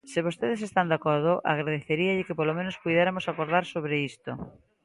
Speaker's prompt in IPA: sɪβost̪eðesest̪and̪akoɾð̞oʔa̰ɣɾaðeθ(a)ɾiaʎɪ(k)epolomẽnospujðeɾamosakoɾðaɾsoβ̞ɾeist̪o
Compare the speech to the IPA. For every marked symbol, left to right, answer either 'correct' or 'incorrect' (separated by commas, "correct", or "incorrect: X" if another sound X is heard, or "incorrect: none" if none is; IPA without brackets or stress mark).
incorrect: e, correct